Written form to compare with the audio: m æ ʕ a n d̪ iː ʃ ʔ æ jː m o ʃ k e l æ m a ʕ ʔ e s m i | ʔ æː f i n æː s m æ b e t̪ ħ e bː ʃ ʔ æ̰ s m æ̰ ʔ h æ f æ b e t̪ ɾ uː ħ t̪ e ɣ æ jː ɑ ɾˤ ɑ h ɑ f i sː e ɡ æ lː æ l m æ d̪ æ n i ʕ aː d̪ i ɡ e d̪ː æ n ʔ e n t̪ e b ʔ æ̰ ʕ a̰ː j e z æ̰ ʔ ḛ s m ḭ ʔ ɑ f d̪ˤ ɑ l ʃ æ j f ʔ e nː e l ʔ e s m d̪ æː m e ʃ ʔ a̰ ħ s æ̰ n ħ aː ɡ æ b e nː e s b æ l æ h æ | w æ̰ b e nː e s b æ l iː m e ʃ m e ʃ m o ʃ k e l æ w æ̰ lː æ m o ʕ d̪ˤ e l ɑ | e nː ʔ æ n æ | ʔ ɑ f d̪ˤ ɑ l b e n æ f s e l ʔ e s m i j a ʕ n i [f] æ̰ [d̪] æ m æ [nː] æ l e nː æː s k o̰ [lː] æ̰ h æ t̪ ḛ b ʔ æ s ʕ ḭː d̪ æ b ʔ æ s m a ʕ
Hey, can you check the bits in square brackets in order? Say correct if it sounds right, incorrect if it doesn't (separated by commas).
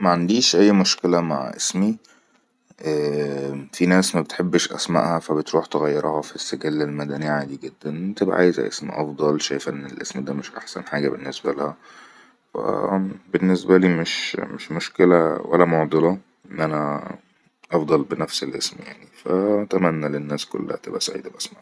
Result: correct, incorrect, correct, correct